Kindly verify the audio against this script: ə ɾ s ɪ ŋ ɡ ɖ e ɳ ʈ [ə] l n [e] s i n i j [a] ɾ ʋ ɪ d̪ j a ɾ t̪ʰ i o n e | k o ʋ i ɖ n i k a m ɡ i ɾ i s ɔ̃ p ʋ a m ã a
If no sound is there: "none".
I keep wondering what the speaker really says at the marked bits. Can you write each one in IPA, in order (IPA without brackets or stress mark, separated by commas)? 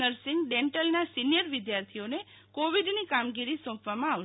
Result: ə, a, ə